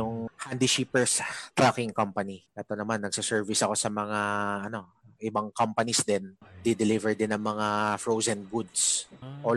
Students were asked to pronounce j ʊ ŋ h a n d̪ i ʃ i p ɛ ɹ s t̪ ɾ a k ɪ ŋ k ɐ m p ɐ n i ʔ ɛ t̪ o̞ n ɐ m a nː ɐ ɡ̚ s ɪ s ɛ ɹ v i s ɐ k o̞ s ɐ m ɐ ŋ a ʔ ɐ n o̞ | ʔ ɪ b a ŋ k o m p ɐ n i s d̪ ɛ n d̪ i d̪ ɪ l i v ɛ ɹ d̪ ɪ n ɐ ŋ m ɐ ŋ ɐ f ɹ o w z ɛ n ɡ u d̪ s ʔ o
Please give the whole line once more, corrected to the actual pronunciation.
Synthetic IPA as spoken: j ʊ ŋ h a n d̪ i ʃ i p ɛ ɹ s t̪ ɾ a k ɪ ŋ k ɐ m p ɐ n i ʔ ɛ t̪ o̞ n ɐ m a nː ɐ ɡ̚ s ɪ s ɛ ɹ v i s ɐ k o̞ s ɐ m ɐ ŋ a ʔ ɐ n o̞ | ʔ ɪ b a ŋ k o m p ɐ n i s d̪ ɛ n d̪ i d̪ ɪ l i v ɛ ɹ d̪ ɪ n ɐ ŋ m ɐ ŋ a f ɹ o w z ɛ n ɡ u d̪ s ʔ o